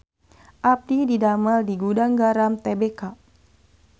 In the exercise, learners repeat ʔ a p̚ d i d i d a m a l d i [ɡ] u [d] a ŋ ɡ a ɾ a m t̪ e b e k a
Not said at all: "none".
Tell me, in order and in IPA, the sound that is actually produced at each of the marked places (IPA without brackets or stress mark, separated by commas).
ɡ, d